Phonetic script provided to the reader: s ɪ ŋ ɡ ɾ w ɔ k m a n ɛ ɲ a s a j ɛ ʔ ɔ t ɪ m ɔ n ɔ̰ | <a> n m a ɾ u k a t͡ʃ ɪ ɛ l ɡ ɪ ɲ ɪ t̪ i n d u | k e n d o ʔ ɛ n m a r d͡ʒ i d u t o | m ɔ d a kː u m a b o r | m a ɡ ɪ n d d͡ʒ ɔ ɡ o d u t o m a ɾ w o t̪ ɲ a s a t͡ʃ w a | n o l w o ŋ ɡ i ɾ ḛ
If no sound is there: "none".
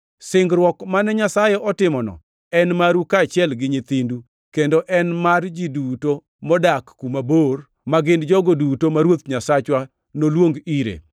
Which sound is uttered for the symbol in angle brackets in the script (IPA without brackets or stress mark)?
ɛ